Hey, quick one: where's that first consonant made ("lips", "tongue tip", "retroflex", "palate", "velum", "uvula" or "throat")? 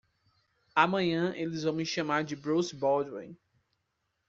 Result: lips